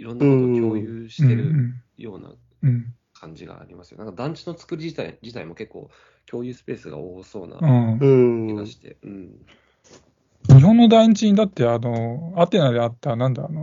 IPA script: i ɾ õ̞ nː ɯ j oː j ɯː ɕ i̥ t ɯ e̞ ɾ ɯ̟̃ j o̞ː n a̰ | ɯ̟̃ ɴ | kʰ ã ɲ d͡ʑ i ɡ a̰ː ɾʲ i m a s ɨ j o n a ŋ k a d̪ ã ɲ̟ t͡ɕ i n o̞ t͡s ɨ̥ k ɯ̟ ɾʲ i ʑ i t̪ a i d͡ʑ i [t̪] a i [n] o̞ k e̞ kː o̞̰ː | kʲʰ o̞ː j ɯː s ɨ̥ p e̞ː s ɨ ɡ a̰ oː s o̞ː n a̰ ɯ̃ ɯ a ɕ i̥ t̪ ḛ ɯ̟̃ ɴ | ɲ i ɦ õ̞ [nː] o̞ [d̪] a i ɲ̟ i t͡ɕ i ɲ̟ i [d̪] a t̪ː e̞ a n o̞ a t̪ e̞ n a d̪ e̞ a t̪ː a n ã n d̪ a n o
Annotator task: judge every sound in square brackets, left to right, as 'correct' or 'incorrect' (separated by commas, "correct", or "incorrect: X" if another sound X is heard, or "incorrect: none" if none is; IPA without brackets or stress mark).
correct, incorrect: m, correct, correct, correct